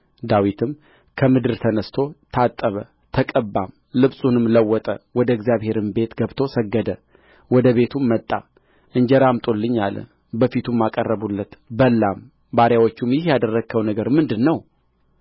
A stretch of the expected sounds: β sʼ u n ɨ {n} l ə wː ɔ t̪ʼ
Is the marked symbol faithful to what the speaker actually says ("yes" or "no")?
no